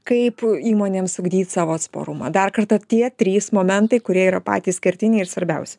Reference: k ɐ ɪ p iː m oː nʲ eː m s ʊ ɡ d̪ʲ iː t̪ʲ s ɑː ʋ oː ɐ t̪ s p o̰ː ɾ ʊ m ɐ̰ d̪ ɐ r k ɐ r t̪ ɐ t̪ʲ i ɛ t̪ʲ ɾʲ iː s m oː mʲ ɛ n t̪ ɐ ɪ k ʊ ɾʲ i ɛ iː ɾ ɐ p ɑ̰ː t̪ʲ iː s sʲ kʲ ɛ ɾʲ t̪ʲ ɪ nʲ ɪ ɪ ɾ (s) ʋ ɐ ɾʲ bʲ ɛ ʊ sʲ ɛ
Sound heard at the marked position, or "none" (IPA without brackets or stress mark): s